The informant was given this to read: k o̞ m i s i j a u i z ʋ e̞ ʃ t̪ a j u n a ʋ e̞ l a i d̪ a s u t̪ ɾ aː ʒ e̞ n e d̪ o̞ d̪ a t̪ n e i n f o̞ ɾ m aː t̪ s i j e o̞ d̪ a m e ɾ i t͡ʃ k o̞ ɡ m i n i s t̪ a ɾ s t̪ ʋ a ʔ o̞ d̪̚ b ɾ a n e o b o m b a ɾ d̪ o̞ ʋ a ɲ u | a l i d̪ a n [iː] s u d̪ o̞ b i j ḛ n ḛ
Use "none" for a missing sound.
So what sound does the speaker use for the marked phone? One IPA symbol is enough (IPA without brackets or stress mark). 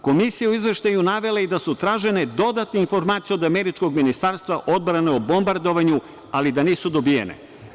iː